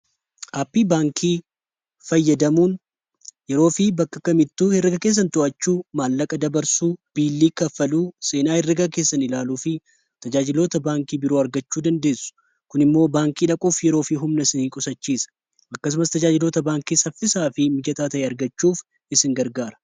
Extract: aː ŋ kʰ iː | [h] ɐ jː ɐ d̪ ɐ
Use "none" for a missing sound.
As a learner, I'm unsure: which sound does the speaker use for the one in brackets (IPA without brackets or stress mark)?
f